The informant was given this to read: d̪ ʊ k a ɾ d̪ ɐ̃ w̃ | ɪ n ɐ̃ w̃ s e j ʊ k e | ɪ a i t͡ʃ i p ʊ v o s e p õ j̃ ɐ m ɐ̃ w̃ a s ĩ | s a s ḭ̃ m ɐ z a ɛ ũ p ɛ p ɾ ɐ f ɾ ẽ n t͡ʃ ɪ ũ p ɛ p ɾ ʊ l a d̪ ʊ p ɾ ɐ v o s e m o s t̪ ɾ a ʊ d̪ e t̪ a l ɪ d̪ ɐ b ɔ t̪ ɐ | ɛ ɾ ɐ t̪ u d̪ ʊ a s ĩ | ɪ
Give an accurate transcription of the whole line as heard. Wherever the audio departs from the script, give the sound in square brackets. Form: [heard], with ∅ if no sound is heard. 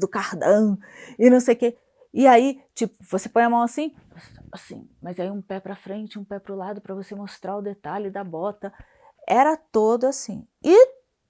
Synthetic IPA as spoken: d̪ ʊ k a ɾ d̪ ɐ̃ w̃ | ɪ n ɐ̃ w̃ s e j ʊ k e | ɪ a i t͡ʃ i p ʊ v o s e p õ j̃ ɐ m ɐ̃ w̃ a s ĩ | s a s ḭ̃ m ɐ z a [i] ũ p ɛ p ɾ ɐ f ɾ ẽ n t͡ʃ ɪ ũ p ɛ p ɾ ʊ l a d̪ ʊ p ɾ ɐ v o s e m o s t̪ ɾ a ʊ d̪ e t̪ a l ɪ d̪ ɐ b ɔ t̪ ɐ | ɛ ɾ ɐ t̪ [o] d̪ ʊ a s ĩ | ɪ

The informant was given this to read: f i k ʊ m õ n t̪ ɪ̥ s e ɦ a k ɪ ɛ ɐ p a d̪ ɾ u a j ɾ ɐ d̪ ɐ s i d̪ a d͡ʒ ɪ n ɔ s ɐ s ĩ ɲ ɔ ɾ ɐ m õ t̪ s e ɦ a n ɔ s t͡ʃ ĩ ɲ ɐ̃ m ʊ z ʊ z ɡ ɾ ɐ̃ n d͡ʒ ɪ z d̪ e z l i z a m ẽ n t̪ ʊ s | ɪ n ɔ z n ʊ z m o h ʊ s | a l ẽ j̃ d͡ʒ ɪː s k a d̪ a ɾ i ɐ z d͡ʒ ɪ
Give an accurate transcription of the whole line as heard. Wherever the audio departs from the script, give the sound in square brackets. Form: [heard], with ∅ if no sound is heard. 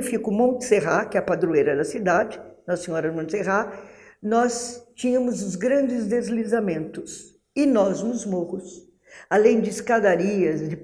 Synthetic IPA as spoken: f i k ʊ m õ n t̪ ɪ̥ s e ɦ a k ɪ ɛ ɐ p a d̪ ɾ u [e] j ɾ ɐ d̪ ɐ s i d̪ a d͡ʒ ɪ n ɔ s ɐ s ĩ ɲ ɔ ɾ ɐ m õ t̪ s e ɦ a n ɔ s t͡ʃ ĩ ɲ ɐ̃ m ʊ z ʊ z ɡ ɾ ɐ̃ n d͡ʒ ɪ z d̪ e z l i z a m ẽ n t̪ ʊ s | ɪ n ɔ z n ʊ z m o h ʊ s | a l ẽ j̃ d͡ʒ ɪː s k a d̪ a ɾ i ɐ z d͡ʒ ɪ

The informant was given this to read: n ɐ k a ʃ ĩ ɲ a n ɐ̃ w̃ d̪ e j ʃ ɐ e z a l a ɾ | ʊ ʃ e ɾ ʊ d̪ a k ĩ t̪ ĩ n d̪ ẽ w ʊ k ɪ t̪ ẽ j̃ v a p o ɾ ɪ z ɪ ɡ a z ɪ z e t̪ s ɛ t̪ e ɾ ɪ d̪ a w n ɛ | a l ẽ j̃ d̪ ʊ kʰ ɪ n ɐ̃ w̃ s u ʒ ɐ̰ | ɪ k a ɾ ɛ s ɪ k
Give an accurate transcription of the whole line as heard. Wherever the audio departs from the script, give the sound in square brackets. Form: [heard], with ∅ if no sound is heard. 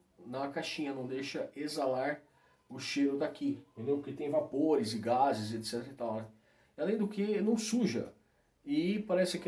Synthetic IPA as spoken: n ɐ k a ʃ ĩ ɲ [ɐ] n ɐ̃ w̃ d̪ e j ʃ ɐ e z a l a ɾ | ʊ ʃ e ɾ ʊ d̪ a k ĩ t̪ [ẽ] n d̪ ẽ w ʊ k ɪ t̪ ẽ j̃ v a p o ɾ ɪ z ɪ ɡ a z ɪ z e t̪ s ɛ t̪ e ɾ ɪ [t̪] a w n ɛ | a l ẽ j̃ d̪ ʊ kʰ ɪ n ɐ̃ w̃ s u ʒ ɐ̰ | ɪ [p] a ɾ ɛ s ɪ k

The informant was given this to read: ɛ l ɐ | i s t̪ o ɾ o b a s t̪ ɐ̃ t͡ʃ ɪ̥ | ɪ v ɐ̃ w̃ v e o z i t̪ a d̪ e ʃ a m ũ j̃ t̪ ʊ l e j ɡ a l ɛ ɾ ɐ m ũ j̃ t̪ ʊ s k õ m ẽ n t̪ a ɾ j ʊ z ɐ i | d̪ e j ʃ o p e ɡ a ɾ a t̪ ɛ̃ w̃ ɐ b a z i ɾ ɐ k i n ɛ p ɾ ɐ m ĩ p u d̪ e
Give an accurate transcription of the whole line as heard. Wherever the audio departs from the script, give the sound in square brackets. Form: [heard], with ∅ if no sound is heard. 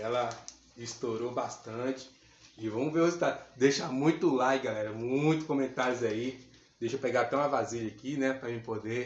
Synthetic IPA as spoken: ɛ l ɐ | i s t̪ o ɾ o b a s t̪ ɐ̃ t͡ʃ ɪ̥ | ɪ v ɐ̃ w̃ v e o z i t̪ a d̪ e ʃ a m ũ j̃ t̪ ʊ l [a] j ɡ a l ɛ ɾ ɐ m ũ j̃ t̪ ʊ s k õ m ẽ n t̪ a ɾ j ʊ z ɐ i | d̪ e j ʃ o p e ɡ a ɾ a t̪ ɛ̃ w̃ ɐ [v] a z i [ʎ] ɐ k i n ɛ p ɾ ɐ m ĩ p [o] d̪ e

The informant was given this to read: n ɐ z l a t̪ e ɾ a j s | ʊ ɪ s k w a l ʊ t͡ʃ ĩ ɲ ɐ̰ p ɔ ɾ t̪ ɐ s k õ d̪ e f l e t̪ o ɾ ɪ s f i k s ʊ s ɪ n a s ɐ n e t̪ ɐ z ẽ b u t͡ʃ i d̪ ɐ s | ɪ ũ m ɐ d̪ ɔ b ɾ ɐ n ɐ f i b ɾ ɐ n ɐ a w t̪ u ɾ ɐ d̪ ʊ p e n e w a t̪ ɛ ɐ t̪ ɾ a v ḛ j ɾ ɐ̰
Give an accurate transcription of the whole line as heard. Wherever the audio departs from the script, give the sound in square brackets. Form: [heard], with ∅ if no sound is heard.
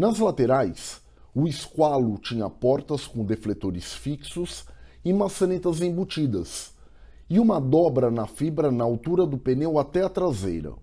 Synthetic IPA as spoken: n ɐ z l a t̪ e ɾ a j s | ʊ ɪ s k w a l ʊ t͡ʃ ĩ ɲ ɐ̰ p ɔ ɾ t̪ ɐ s k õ d̪ e f l e t̪ o ɾ ɪ s f i k s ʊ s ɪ [m] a s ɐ n e t̪ ɐ z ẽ b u t͡ʃ i d̪ ɐ s | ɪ ũ m ɐ d̪ ɔ b ɾ ɐ n ɐ f i b ɾ ɐ n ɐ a w t̪ u ɾ ɐ d̪ ʊ p e n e w a t̪ ɛ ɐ t̪ ɾ a [z] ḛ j ɾ ɐ̰

